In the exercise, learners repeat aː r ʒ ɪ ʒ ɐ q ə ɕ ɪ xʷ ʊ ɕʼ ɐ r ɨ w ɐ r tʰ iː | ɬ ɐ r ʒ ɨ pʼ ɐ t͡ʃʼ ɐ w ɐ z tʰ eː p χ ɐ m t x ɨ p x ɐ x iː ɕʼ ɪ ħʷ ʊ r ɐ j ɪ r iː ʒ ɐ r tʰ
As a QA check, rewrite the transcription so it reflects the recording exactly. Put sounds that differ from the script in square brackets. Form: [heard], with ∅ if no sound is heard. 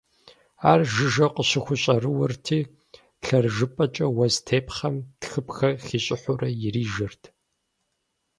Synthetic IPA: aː r ʒ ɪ ʒ ɐ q ə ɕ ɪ xʷ ʊ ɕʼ ɐ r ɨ w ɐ r tʰ iː | ɬ ɐ r ʒ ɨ pʼ ɐ t͡ʃʼ ɐ w ɐ z tʰ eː p χ ɐ m t x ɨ p x ɐ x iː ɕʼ ɪ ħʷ ʊ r ɐ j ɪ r iː ʒ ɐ r tʰ

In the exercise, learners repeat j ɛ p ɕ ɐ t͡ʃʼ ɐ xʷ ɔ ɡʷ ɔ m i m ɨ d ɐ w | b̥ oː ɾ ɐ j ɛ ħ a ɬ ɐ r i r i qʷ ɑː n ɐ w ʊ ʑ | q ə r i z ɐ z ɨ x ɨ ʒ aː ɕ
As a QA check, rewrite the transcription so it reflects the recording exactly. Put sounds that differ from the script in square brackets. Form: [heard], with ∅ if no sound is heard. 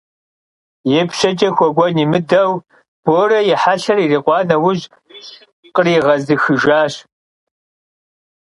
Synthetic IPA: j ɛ p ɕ ɐ t͡ʃʼ ɐ xʷ ɔ ɡʷ ɔ [n] i m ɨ d ɐ w | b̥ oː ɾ ɐ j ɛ ħ a ɬ ɐ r i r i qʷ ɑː n ɐ w ʊ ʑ | q ə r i [ʁ] ɐ z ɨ x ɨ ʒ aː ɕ

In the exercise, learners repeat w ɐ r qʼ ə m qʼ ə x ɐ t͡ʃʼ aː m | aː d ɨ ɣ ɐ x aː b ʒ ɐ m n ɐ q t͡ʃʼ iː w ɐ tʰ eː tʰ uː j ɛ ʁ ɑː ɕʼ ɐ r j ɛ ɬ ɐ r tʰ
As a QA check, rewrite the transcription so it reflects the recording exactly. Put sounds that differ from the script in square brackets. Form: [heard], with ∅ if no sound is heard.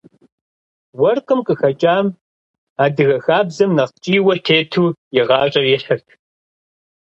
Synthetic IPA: w ɐ r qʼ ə m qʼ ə x ɐ t͡ʃʼ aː m | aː d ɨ ɣ ɐ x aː b [z] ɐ m n ɐ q t͡ʃʼ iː w ɐ tʰ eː tʰ uː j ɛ ʁ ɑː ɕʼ ɐ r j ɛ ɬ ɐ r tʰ

